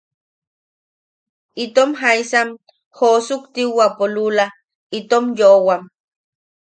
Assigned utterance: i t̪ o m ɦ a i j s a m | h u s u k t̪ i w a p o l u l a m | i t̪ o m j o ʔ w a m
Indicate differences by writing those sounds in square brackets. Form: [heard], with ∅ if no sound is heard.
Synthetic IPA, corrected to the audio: i t̪ o m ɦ a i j s a m | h [o] s u k t̪ i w a p o l u l a [∅] | i t̪ o m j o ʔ w a m